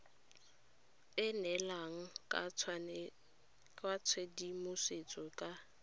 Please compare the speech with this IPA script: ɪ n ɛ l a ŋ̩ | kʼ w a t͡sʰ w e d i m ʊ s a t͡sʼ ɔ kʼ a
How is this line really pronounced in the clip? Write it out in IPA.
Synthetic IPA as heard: ɪ n ɛ l a ŋ̩ | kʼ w a t͡sʰ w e d i m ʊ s e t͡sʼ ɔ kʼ a